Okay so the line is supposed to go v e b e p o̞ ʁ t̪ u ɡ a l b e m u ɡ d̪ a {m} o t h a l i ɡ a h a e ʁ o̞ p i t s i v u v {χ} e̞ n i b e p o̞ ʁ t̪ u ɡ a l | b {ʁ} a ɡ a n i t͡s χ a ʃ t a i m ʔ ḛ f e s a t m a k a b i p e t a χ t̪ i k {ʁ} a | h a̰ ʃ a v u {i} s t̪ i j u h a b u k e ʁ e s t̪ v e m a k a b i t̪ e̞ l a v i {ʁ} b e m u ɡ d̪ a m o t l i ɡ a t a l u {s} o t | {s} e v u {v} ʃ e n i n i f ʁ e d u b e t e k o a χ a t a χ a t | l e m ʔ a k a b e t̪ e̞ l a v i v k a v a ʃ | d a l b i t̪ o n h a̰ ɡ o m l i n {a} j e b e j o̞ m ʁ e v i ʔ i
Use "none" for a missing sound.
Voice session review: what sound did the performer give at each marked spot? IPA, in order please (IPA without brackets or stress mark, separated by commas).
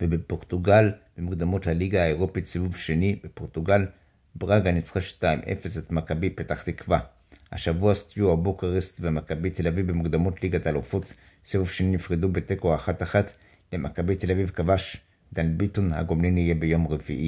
m, ʃ, ʁ, v, a, v, f, s, v, i